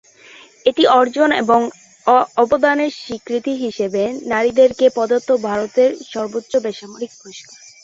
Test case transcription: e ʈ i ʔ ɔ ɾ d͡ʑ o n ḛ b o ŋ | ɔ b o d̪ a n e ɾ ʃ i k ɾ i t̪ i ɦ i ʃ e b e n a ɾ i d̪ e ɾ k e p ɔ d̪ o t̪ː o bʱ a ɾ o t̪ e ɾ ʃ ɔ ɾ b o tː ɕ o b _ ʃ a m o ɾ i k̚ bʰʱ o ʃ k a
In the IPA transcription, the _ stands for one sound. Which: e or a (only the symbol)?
e